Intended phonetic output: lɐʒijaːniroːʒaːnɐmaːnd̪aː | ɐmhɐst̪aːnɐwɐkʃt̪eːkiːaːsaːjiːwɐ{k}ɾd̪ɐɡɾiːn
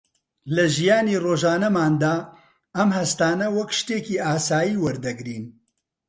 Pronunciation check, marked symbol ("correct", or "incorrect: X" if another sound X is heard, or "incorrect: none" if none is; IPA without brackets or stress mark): incorrect: none